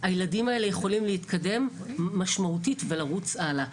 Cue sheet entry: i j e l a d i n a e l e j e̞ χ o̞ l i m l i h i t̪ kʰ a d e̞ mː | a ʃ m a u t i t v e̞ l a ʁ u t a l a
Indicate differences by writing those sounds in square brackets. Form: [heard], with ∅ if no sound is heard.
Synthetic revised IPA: [a] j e l a d i [m] a e l e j e̞ χ o̞ l i m l [e] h i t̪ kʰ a d e̞ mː | a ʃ m a u t i t v e̞ l a ʁ u [t͡s] a l a